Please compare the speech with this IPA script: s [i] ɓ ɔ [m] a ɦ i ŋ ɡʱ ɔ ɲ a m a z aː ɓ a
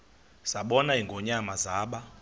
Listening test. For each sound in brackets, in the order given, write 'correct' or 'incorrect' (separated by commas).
incorrect, incorrect